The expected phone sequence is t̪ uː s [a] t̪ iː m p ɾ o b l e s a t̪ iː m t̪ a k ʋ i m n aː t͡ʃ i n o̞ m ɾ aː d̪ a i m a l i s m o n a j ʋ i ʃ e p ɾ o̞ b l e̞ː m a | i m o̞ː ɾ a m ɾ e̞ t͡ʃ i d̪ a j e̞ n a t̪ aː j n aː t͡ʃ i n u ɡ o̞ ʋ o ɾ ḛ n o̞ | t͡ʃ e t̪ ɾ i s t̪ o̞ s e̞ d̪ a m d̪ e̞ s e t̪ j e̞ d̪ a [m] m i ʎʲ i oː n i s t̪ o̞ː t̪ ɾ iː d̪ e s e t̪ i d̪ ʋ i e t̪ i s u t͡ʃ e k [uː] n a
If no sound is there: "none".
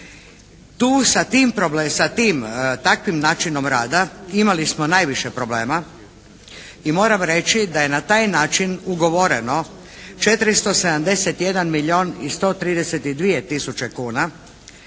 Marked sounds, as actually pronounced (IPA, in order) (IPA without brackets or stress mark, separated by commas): a, n, uː